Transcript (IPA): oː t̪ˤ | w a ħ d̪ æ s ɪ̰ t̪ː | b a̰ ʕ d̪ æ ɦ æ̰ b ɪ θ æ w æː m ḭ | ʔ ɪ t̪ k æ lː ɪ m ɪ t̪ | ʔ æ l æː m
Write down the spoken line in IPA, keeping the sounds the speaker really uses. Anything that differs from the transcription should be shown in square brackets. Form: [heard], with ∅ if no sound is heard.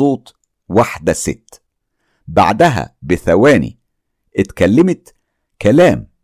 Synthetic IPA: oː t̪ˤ | w a ħ d̪ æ s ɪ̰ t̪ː | b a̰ ʕ d̪ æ ɦ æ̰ b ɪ θ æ w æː [n] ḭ | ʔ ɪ t̪ k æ lː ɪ m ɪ t̪ | [k] æ l æː m